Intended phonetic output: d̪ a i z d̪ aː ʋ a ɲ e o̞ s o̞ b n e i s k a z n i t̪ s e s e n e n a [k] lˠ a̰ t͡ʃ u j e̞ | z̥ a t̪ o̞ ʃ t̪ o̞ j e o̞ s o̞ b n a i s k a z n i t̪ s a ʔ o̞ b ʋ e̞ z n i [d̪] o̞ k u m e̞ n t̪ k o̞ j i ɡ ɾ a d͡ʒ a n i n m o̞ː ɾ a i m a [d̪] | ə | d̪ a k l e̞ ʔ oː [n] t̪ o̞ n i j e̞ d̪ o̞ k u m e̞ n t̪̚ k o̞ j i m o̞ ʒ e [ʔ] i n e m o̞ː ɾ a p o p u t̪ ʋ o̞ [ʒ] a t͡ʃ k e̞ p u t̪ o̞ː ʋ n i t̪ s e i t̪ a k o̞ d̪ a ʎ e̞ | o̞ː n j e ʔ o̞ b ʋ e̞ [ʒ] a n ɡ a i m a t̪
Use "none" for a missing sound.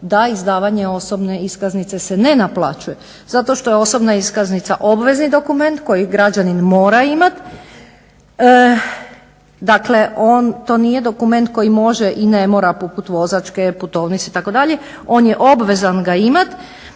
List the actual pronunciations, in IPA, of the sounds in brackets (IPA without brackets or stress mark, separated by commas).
p, d̪, t̪, n, ʔ, z, z